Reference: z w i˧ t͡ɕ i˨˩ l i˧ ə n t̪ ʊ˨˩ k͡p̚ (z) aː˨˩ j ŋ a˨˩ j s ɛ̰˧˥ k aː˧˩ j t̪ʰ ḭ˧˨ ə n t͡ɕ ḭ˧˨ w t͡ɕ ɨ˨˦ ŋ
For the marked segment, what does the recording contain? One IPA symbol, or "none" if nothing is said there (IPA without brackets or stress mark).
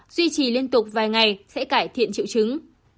v